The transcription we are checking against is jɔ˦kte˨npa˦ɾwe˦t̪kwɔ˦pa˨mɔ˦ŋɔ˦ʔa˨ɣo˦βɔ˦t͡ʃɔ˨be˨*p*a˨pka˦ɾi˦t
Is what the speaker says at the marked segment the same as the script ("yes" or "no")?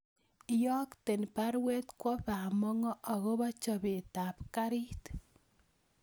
no